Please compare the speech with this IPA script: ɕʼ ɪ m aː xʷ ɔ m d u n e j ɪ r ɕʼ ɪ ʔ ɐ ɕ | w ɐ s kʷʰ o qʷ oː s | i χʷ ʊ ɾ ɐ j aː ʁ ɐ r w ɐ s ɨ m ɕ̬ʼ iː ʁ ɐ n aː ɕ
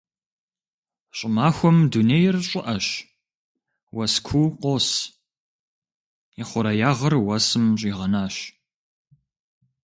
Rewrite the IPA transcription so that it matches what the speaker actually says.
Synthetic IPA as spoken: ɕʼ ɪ m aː xʷ ɔ m d u n e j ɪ r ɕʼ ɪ ʔ ɐ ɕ | w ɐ s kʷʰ u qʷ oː s | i χʷ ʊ ɾ ɐ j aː ʁ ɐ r w ɐ s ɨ m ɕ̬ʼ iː ʁ ɐ n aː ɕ

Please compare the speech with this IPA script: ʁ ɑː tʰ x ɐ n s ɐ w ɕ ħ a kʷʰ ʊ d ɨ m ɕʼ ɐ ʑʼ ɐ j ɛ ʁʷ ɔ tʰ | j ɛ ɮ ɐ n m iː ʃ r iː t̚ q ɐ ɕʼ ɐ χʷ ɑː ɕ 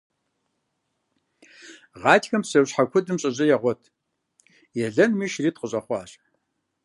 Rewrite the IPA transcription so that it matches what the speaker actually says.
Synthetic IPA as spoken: ʁ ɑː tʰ x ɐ m s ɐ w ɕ ħ a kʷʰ ʊ d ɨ m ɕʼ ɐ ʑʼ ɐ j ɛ ʁʷ ɔ tʰ | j ɛ ɮ ɐ n m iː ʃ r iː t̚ q ə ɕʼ ɐ χʷ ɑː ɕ

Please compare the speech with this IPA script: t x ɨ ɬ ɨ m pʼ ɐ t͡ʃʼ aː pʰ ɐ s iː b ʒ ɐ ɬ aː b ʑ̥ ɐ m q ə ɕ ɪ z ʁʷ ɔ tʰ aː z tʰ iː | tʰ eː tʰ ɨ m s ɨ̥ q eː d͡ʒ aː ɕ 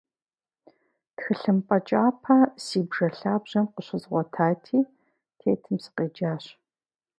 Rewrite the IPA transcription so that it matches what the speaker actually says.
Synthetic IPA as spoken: t x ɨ ɬ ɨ m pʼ ɐ t͡ʃʼ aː pʰ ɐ s iː b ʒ ɐ ɬ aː b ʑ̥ ɐ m q ə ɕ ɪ z ʁʷ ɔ tʰ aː tʰ iː | tʰ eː tʰ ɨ m s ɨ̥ q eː d͡ʒ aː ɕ

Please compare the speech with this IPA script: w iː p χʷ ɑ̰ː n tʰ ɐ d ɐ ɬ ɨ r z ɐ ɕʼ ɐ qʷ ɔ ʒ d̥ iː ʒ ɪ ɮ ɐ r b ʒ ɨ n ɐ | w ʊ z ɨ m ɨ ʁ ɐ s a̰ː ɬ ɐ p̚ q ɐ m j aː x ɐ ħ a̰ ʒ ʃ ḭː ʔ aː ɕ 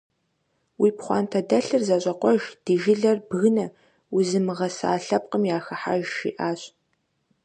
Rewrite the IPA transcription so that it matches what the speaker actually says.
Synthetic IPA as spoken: w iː p χʷ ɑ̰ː n tʰ ɐ d ɐ ɬ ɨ r z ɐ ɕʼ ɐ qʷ ɔ ʒ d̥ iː ʒ ɪ ɮ ɐ r b ɣ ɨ n ɐ | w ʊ z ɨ m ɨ ʁ ɐ s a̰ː ɬ ɐ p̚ q ə m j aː x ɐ ħ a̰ ʒ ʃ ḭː ʔ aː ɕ

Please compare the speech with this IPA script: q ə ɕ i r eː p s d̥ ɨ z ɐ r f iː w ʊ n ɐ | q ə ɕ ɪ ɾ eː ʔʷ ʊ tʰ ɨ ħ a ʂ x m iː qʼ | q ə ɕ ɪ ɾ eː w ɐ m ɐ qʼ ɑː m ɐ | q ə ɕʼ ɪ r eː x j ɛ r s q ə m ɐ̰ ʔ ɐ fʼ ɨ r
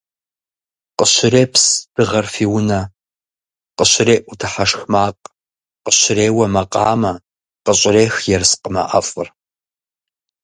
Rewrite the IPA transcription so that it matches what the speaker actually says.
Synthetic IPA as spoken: q ə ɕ ɪ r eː p s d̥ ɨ ʁ ɐ r f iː w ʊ n ɐ | q ə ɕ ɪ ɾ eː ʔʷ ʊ tʰ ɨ ħ a ʂ x m aː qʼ | q ə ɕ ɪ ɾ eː w ɐ m ɐ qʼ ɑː m ɐ | q ə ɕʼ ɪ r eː x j ɛ r s q ə m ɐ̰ ʔ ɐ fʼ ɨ r

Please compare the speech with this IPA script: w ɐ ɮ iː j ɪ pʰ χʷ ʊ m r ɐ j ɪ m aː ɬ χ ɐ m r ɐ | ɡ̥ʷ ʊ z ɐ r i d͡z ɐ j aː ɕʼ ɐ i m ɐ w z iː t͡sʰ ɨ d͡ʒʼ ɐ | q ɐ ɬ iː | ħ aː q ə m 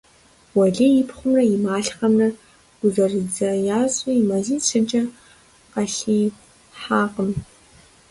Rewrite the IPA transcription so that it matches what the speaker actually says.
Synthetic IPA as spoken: w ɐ ɮ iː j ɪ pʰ χʷ ʊ m r ɐ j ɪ m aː ɬ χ ɐ m r ɐ | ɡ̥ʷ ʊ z ɐ r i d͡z ɐ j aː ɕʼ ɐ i m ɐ z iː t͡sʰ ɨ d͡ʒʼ ɐ | q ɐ ɬ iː | ħ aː q ə m

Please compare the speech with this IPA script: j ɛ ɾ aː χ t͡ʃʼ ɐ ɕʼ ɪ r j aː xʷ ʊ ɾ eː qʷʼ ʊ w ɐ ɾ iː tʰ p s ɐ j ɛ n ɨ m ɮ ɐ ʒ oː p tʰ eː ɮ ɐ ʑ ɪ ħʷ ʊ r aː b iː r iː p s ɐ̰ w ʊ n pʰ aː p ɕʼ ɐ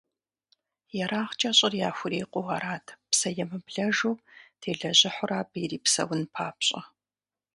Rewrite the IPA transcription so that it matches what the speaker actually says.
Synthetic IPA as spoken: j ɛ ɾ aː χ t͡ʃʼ ɐ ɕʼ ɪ r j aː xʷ ʊ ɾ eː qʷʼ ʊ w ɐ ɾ aː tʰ p s ɐ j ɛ m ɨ b ɮ ɐ ʒ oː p tʰ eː ɮ ɐ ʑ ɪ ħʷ ʊ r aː b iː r iː p s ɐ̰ w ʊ n pʰ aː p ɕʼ ɐ

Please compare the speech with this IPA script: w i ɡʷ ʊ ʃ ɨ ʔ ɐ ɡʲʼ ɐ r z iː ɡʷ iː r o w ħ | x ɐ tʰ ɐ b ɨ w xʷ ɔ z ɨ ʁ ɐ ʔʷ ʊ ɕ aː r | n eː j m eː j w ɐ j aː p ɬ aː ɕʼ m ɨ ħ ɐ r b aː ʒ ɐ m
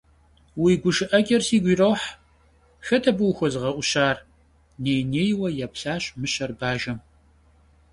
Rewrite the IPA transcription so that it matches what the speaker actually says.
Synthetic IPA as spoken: w i ɡʷ ʊ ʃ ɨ ʔ ɐ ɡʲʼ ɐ r s iː ɡʷ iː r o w ħ | x ɐ tʰ ɐ b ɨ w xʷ ɔ z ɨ ʁ ɐ ʔʷ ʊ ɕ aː r | n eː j n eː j w ɐ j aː p ɬ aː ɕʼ m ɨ ɕ ɐ r b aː ʒ ɐ m

